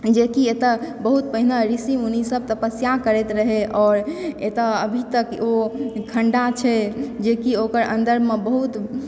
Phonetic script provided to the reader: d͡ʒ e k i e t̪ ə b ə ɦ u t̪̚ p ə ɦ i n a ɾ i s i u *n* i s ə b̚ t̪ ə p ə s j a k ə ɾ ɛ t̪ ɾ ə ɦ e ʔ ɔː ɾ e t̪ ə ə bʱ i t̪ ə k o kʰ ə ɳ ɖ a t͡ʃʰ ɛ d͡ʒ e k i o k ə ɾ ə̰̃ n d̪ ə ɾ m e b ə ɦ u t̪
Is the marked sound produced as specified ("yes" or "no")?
yes